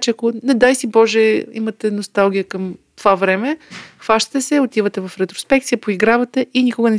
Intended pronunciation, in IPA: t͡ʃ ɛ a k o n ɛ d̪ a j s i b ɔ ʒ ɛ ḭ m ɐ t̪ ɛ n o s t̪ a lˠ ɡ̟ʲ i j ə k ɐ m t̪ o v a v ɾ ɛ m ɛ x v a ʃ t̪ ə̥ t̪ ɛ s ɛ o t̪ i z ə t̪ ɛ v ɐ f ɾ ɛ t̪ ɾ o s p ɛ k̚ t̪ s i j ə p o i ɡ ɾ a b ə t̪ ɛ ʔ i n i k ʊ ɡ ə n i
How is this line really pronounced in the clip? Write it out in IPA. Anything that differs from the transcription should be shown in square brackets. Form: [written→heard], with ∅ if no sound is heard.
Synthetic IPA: t͡ʃ ɛ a k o n ɛ d̪ a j s i b ɔ ʒ ɛ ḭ m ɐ t̪ ɛ n o s t̪ a lˠ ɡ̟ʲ i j ə k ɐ m t̪ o v a v ɾ ɛ m ɛ x v a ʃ t̪ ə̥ t̪ ɛ s ɛ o t̪ i [z→v] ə t̪ ɛ v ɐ f ɾ ɛ t̪ ɾ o s p ɛ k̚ t̪ s i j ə p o i ɡ ɾ a [b→v] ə t̪ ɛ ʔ i n i k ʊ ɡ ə n [i→ɛ]